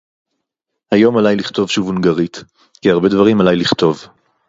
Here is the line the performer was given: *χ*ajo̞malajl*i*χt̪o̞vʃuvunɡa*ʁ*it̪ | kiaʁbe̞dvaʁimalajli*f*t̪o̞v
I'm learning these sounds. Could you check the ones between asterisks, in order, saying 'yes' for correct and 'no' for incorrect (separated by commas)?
no, yes, yes, no